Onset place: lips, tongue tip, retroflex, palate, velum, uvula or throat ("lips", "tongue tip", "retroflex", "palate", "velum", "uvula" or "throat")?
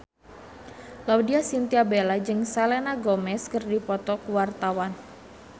tongue tip